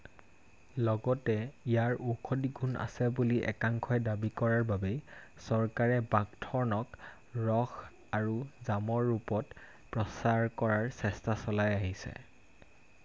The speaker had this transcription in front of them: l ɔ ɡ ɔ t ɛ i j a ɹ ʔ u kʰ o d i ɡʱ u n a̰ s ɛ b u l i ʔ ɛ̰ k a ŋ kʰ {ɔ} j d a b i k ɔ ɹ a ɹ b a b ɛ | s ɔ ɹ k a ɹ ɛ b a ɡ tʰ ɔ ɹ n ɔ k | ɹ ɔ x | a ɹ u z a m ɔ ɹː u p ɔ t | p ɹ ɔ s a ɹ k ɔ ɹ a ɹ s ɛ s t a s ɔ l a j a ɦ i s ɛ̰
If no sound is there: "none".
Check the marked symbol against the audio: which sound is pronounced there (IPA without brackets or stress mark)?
ɔ